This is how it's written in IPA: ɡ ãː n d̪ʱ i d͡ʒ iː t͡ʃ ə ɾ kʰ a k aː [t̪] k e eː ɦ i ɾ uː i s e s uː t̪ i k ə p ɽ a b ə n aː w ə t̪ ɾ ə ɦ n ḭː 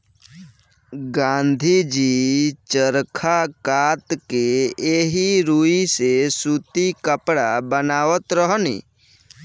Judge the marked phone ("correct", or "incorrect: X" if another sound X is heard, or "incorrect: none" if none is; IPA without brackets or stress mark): correct